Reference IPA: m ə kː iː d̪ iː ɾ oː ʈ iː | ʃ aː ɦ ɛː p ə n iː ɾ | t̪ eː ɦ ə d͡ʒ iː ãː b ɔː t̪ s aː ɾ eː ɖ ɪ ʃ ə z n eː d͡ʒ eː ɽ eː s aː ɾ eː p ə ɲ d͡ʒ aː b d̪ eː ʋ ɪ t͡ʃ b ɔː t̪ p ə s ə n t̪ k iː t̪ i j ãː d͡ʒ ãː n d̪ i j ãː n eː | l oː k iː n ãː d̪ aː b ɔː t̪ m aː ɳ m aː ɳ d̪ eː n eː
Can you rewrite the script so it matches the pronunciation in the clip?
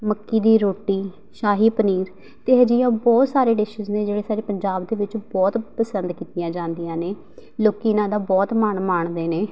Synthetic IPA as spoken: m ə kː iː d̪ iː ɾ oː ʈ iː | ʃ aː ɦ iː p ə n iː ɾ | t̪ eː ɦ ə d͡ʒ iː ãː b ɔː t̪ s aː ɾ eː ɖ ɪ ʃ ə z n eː d͡ʒ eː ɽ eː s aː ɾ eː p ə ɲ d͡ʒ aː b d̪ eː ʋ ɪ t͡ʃ b ɔː t̪ p ə s ə n d̪ k iː t̪ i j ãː d͡ʒ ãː n d̪ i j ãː n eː | l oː k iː n ãː d̪ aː b ɔː t̪ m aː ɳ m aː ɳ d̪ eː n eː